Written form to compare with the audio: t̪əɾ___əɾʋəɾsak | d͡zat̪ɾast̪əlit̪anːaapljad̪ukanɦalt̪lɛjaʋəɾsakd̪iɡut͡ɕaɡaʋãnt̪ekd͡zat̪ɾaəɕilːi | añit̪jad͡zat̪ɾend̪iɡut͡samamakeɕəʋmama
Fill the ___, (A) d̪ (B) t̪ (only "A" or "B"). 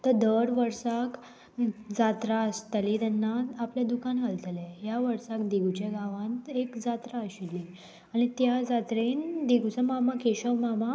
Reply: A